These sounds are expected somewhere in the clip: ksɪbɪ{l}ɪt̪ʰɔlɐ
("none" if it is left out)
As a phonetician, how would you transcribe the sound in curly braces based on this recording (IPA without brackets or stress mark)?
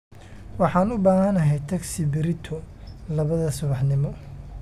ɾ